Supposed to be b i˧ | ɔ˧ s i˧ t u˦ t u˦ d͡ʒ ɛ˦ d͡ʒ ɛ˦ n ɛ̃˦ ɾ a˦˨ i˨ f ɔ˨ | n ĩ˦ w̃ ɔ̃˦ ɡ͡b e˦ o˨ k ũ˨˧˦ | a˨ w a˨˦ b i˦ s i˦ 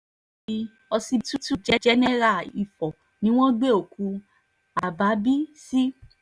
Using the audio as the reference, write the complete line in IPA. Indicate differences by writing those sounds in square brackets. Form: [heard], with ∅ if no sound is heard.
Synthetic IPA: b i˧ | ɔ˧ s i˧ t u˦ t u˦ d͡ʒ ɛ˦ d͡ʒ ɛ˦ n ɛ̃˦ ɾ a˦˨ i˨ f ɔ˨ | n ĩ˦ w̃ ɔ̃˦ ɡ͡b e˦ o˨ k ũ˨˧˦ | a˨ [b] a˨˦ b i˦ s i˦